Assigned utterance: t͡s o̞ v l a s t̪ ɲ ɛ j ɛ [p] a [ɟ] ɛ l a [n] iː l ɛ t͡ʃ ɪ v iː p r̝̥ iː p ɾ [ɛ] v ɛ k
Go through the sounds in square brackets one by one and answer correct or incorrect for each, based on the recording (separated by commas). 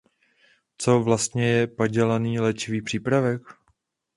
correct, correct, correct, incorrect